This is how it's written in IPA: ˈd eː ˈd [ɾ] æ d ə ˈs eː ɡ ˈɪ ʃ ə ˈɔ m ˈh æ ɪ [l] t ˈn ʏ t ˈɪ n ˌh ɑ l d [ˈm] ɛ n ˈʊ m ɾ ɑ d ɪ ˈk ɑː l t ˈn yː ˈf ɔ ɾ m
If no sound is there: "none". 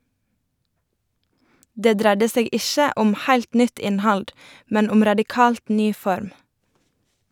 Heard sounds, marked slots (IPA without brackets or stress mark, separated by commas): ɾ, l, m